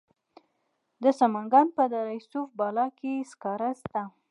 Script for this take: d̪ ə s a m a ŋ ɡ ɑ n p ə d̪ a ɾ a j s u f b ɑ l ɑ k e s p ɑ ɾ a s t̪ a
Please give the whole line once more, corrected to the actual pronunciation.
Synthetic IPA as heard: d̪ ə s a m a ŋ ɡ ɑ n p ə d̪ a ɾ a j s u f b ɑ l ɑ k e s k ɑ ɾ a s t̪ a